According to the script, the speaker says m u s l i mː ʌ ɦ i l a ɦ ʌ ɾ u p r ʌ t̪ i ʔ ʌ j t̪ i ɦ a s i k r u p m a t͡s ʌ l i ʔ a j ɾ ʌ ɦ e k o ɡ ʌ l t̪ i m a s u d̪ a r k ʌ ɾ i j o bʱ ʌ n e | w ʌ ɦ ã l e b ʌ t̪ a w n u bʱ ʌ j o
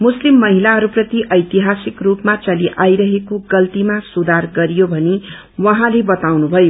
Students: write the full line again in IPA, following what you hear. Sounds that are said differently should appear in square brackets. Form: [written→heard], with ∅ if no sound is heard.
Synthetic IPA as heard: m u s l i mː ʌ ɦ i l a ɦ ʌ ɾ u p r ʌ t̪ i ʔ ʌ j t̪ i ɦ a s i k r u p m a t͡s ʌ l i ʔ a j ɾ ʌ ɦ e k o ɡ ʌ l t̪ i m a s u d̪ a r [k→ɡ] ʌ ɾ i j o bʱ ʌ n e | w ʌ ɦ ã l e b ʌ t̪ a w n u bʱ ʌ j o

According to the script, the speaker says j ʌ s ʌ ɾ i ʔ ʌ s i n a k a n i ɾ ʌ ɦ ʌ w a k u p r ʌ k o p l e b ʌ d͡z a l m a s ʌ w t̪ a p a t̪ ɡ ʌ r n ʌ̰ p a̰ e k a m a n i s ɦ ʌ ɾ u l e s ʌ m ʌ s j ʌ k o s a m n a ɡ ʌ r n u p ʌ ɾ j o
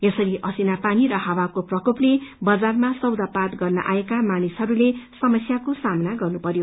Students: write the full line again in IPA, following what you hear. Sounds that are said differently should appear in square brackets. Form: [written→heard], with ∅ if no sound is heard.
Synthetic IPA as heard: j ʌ s ʌ ɾ i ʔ ʌ s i n a [k→p] a n i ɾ ʌ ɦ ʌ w a k [u→o] p r ʌ k o p l e b ʌ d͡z a [l→r] m a s ʌ w [t̪→d̪] a p a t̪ ɡ ʌ r n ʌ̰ [p→ʔ] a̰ e k a m a n i s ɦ ʌ ɾ u l e s ʌ m ʌ s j [ʌ→a] k o s a m n a ɡ ʌ r n u p ʌ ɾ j o

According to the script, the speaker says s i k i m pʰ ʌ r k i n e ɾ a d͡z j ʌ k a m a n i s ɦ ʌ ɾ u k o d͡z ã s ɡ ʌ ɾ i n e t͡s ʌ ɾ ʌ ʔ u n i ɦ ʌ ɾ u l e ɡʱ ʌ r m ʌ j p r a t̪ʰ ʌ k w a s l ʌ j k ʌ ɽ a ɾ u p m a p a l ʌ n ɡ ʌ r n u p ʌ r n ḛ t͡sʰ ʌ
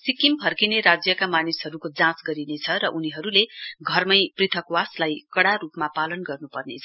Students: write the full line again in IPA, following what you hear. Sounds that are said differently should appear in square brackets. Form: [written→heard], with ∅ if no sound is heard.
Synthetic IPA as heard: s i k i m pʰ ʌ r k i n e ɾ a d͡z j ʌ k a m a n i s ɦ ʌ ɾ u k o d͡z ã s ɡ ʌ ɾ i n e [t͡s→t͡sʰ] ʌ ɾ ʌ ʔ u n i ɦ ʌ ɾ u l e ɡʱ ʌ r m ʌ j p r [a→i] t̪ʰ ʌ k w a s l [ʌ→a] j k ʌ ɽ a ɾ u p m a p a l ʌ n ɡ ʌ r n u p ʌ r n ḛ t͡sʰ ʌ

